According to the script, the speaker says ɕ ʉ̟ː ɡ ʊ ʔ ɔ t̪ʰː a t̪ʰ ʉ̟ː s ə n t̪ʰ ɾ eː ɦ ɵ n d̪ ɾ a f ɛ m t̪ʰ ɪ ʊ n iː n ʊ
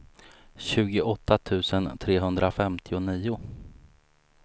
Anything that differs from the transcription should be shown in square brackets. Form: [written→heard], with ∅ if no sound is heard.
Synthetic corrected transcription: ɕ ʉ̟ː ɡ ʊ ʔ ɔ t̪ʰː a t̪ʰ ʉ̟ː s ə n t̪ʰ ɾ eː ɦ ɵ n d̪ ɾ a f ɛ m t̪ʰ ɪ ʊ n iː [n→∅] ʊ